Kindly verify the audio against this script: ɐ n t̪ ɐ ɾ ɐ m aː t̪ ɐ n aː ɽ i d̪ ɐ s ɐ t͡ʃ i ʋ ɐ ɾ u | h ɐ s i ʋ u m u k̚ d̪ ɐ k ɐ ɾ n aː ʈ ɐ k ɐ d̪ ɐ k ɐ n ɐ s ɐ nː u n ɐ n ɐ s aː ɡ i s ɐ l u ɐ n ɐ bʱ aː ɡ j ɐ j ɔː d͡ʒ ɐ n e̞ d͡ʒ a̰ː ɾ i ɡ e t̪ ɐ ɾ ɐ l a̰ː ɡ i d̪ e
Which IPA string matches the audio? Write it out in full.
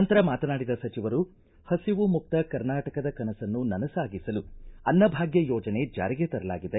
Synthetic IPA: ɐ n t̪ ɐ ɾ ɐ m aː t̪ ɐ n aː ɽ i d̪ ɐ s ɐ t͡ʃ i ʋ ɐ ɾ u | h ɐ s i ʋ u m u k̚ t̪ ɐ k ɐ ɾ n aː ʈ ɐ k ɐ d̪ ɐ k ɐ n ɐ s ɐ nː u n ɐ n ɐ s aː ɡ i s ɐ l u ɐ nː ɐ bʱ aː ɡ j ɐ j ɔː d͡ʒ ɐ n e̞ d͡ʒ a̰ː ɾ i ɡ e t̪ ɐ ɾ ɐ l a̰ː ɡ i d̪ e